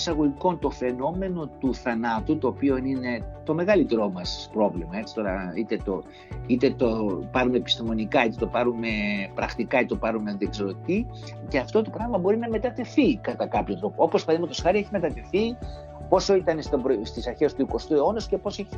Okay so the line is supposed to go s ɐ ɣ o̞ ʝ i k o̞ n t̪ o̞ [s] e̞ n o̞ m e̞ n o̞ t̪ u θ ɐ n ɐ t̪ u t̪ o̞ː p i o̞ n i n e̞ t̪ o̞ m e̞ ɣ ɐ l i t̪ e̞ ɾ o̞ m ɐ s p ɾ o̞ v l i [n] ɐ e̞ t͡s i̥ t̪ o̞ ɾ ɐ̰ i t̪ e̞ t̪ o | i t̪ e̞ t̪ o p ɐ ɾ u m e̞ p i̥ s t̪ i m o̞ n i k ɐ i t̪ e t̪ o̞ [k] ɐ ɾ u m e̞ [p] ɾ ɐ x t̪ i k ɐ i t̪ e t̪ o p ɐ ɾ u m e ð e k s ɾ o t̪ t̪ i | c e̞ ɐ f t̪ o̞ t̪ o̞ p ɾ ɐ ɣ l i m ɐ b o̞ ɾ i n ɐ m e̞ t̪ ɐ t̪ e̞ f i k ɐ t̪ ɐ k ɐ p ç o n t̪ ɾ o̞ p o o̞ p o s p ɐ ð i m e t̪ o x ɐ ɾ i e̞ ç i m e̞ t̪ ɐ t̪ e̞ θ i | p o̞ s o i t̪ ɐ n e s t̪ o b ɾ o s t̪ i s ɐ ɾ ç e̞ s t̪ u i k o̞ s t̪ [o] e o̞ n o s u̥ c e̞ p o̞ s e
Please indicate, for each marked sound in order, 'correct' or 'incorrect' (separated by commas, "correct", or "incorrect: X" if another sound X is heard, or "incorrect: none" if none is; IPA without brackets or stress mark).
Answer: incorrect: f, incorrect: m, incorrect: p, correct, incorrect: u